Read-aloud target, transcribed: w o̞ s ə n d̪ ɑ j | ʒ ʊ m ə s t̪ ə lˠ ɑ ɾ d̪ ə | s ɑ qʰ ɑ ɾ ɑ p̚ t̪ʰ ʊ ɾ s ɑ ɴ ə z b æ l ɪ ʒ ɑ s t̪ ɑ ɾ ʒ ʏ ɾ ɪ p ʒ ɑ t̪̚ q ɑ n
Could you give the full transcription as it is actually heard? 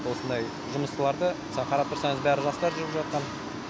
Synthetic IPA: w o̞ s ə n d̪ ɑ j | ʒ ʊ m ə s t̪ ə lˠ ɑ ɾ d̪ ə | s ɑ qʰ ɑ ɾ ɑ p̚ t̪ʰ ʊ ɾ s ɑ ɴ ə z b æ ɾ ɪ ʒ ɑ s t̪ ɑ ɾ ʒ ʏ ɾ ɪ p ʒ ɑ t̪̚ q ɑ n